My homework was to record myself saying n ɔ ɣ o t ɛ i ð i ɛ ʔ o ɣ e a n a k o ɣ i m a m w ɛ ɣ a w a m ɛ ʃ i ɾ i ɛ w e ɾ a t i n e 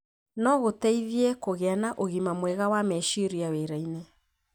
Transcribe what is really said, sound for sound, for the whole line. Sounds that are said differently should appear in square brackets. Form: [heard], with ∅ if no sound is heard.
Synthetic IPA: n ɔ ɣ o t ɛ i ð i ɛ [k] o ɣ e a n a [ʔ] o ɣ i m a m w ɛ ɣ a w a m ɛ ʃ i ɾ i [a] w e ɾ a [∅] i n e